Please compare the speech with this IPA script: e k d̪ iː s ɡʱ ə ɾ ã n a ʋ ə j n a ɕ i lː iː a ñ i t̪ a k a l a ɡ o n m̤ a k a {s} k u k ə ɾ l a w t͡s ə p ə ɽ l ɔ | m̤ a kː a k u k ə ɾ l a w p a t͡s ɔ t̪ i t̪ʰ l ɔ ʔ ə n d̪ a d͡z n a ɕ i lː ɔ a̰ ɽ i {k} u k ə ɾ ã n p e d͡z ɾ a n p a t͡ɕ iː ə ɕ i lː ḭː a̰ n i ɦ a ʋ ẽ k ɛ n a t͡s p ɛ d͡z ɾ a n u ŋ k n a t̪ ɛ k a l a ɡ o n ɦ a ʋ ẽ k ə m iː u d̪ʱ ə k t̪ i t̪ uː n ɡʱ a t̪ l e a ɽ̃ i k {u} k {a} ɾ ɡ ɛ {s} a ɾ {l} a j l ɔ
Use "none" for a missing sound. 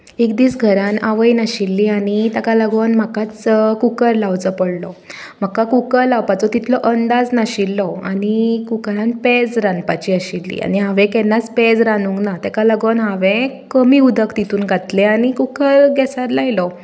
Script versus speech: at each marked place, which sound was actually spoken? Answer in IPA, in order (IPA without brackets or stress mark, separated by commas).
t͡s, k, u, ə, s, l